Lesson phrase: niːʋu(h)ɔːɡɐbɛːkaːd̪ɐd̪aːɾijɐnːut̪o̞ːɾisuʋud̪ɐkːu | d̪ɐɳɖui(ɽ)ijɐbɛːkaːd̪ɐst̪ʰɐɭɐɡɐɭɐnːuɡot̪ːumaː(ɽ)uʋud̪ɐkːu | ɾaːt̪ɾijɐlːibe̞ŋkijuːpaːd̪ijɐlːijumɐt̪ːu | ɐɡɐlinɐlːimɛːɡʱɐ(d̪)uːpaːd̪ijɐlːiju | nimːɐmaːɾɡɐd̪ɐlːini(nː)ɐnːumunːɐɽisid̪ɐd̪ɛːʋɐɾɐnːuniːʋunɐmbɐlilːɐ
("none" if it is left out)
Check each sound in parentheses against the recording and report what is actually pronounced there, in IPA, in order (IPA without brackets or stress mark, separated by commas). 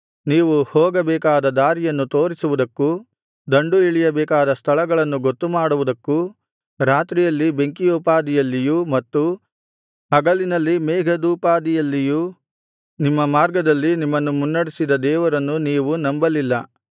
h, ɭ, ɽ, d̪, mː